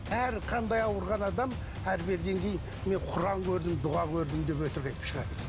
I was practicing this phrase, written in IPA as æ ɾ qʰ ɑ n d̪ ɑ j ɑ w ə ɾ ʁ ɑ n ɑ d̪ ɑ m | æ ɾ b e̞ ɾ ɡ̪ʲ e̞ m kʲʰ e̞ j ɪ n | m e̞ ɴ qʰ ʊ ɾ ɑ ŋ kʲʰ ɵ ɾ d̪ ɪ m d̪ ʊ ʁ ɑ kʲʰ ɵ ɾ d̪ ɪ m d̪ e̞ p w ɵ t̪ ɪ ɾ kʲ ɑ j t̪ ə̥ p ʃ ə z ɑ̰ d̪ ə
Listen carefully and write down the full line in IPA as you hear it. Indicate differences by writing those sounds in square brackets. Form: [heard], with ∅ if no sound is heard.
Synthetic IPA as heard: æ ɾ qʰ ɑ n d̪ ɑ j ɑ w ə ɾ ʁ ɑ n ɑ d̪ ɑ m | æ ɾ b e̞ ɾ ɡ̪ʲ e̞ [ŋ] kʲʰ e̞ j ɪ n | m e̞ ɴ qʰ ʊ ɾ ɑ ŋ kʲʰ ɵ ɾ d̪ ɪ m d̪ ʊ ʁ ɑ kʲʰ ɵ ɾ d̪ ɪ m d̪ e̞ p w ɵ t̪ ɪ ɾ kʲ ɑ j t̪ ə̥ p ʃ ə [ʁ] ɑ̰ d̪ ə